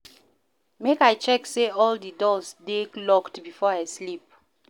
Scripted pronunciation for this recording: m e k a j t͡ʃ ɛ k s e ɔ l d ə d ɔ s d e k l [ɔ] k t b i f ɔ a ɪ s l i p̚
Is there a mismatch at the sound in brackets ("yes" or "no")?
no